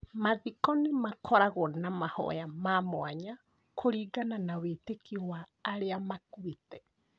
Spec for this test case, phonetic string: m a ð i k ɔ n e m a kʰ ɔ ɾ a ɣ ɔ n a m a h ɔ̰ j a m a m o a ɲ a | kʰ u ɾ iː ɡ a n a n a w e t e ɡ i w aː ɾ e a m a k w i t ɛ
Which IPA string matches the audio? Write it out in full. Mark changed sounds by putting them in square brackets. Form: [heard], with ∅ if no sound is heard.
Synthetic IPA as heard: m a ð i k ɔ n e m a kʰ ɔ ɾ a ɣ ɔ n a m a h ɔ̰ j a m a m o a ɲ a | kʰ [o] ɾ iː ɡ a n a n a w e t e [k] i w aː ɾ e a m a k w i t ɛ